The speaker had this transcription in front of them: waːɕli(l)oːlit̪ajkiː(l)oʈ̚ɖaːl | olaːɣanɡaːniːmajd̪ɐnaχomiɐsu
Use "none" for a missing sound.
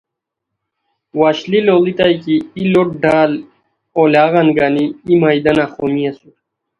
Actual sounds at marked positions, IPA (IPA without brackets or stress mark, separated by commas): l, l